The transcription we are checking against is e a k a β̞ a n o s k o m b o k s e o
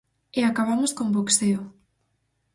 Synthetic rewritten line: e a k a β̞ a m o s k o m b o k s e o